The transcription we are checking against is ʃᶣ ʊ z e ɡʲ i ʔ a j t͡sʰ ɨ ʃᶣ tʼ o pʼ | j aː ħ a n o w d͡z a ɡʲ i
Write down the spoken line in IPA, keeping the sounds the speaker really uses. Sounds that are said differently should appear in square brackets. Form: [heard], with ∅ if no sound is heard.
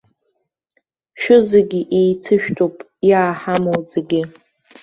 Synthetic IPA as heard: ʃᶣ ʊ z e ɡʲ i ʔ [e] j t͡sʰ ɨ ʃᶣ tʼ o pʼ | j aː ħ a [m] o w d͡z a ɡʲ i